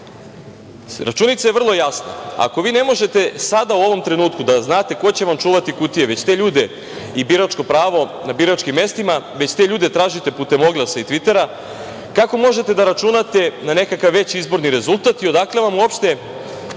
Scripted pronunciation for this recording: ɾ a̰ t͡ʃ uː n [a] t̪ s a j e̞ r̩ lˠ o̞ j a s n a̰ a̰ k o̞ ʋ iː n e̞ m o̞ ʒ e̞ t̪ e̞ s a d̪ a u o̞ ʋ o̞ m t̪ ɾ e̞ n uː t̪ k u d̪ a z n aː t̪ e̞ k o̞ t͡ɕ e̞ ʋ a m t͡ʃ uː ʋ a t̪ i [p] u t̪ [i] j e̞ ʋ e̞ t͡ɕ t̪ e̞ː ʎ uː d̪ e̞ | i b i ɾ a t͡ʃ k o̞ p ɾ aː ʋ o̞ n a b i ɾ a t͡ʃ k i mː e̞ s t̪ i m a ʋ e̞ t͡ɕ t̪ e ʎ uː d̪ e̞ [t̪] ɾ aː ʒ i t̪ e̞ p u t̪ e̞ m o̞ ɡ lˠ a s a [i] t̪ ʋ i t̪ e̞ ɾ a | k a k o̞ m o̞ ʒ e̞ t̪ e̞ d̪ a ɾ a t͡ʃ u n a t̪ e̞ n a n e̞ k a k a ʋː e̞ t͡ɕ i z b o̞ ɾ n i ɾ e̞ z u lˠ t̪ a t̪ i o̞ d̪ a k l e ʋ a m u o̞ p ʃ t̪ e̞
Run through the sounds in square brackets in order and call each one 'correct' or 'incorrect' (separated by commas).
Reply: incorrect, incorrect, correct, correct, correct